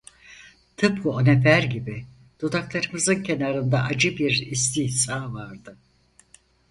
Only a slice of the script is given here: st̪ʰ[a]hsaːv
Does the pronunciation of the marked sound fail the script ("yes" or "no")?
yes